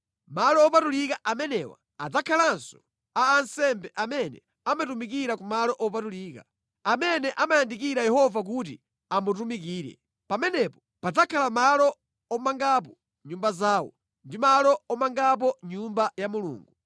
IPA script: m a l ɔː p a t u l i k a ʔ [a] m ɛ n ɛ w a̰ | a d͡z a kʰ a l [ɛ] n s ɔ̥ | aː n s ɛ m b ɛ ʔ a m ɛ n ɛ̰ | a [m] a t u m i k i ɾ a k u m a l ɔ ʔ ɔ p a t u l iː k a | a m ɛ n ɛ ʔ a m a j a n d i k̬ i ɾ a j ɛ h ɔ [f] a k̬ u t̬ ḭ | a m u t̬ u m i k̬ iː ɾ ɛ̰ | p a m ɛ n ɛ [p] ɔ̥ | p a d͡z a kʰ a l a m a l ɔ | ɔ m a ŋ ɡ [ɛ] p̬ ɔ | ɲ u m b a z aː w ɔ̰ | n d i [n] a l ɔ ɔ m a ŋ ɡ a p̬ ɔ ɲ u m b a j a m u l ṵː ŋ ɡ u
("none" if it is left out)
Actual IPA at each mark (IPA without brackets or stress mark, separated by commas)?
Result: a, a, m, v, p, a, m